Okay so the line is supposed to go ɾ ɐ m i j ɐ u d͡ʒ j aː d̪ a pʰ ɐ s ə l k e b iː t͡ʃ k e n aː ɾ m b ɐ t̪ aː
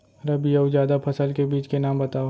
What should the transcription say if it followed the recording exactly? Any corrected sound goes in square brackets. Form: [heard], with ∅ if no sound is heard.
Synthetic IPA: ɾ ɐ [b] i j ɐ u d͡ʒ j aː d̪ a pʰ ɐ s ə l k e b iː t͡ʃ k e n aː [∅] m b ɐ t̪ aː